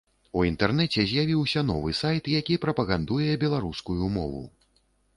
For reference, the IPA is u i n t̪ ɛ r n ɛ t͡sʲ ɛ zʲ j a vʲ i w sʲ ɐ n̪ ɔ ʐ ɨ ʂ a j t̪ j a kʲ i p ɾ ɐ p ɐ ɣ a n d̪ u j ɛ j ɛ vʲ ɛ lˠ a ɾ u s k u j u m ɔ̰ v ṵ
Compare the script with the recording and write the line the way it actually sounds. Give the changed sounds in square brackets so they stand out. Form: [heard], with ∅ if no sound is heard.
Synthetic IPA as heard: u i n t̪ ɛ r n ɛ t͡sʲ ɛ zʲ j a vʲ i w sʲ ɐ n̪ ɔ [v] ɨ [s] a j t̪ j a kʲ i p ɾ ɐ p ɐ ɣ a n d̪ u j ɛ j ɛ [bʲ] ɛ lˠ a ɾ u s k u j u m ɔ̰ v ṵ